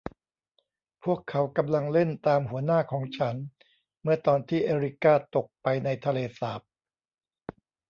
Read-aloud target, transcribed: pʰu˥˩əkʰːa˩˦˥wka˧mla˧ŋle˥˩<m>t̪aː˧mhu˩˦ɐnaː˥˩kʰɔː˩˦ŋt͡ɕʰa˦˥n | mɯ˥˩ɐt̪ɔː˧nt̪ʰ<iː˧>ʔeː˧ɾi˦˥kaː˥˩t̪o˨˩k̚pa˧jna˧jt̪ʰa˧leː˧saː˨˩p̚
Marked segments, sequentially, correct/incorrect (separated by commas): incorrect, incorrect